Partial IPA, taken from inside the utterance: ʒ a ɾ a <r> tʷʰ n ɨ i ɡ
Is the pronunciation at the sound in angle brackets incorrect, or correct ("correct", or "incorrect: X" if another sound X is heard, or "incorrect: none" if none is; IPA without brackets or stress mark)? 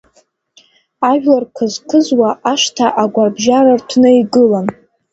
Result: correct